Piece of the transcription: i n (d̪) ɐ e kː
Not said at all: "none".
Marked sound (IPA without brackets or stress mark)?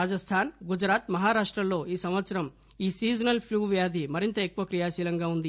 t̪